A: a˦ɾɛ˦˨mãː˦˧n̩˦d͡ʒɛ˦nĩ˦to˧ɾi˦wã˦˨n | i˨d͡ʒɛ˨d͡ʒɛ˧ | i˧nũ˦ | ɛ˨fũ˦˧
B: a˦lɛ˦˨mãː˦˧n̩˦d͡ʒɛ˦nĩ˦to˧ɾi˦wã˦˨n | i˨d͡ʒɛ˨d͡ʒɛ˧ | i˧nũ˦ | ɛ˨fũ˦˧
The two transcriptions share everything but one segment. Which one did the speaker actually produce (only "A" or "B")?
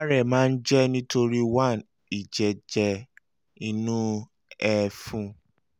A